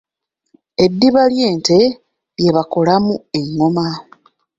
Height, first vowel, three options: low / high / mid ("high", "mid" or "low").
mid